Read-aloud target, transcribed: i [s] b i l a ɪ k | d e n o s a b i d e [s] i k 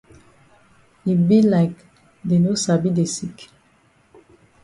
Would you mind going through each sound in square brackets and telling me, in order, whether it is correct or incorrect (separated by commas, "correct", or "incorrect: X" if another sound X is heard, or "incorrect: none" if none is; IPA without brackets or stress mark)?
incorrect: none, correct